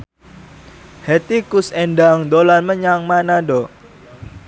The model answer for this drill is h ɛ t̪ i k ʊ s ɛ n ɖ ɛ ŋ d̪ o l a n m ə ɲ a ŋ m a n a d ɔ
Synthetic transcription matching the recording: h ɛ t̪ i k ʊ s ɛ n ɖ a ŋ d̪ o l a n m ə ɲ a ŋ m a n a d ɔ